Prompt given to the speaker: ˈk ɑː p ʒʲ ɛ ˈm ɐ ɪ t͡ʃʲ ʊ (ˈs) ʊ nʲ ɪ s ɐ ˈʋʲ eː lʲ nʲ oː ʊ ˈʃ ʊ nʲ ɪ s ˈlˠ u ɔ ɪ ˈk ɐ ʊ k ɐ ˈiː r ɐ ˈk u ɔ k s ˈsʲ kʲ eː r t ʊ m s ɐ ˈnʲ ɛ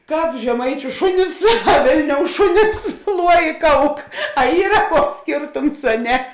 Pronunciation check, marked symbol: incorrect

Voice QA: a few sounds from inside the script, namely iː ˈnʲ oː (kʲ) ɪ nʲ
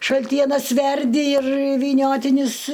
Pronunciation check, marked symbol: incorrect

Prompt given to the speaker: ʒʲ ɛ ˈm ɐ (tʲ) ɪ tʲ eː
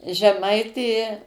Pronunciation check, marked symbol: incorrect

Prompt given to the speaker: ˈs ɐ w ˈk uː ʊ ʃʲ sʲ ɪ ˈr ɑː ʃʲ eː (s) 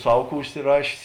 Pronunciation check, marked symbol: correct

